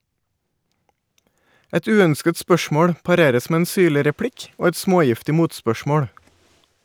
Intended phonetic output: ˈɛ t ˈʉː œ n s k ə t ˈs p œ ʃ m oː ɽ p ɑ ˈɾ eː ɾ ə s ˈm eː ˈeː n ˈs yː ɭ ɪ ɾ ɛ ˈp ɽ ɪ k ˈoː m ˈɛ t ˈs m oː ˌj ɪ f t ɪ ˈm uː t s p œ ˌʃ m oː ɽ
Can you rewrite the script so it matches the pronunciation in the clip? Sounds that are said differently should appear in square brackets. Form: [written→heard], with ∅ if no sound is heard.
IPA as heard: ˈɛ t ˈʉː œ n s k ə t ˈs p œ ʃ m oː ɽ p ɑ ˈɾ eː ɾ ə s ˈm eː ˈeː n ˈs yː ɭ ɪ ɾ ɛ ˈp ɽ ɪ k ˈoː [m→∅] ˈɛ t ˈs m oː ˌj ɪ f t ɪ ˈm uː t s p œ ˌʃ m oː ɽ